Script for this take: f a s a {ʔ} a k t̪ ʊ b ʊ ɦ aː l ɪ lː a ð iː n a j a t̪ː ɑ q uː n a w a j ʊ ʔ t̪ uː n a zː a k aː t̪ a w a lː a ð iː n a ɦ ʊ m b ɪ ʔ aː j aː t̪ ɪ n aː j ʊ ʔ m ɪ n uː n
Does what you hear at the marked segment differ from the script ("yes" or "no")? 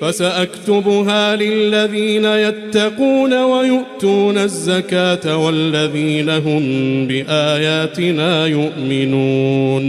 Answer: no